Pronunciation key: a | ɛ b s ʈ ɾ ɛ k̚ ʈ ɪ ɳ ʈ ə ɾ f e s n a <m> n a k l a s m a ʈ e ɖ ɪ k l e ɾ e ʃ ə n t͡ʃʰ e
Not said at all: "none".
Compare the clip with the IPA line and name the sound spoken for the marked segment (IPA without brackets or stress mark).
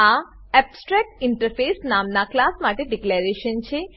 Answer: m